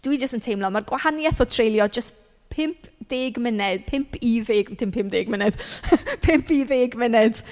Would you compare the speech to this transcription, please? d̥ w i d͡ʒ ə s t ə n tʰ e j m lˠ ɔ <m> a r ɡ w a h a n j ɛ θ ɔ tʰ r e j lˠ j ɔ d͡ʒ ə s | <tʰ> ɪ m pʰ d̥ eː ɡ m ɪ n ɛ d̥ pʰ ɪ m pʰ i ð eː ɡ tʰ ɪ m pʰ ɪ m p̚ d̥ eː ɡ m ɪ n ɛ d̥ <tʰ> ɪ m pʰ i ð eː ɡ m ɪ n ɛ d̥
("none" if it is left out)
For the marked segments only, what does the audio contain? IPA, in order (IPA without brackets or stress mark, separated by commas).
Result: m, pʰ, pʰ